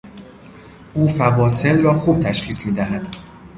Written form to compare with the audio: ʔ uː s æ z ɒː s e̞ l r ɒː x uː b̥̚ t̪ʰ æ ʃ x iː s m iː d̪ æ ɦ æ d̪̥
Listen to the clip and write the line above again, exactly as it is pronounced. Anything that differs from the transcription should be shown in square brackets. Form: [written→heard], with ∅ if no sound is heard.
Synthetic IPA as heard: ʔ uː [s→f] æ [z→v] ɒː s e̞ l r ɒː x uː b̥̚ t̪ʰ æ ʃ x iː s m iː d̪ æ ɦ æ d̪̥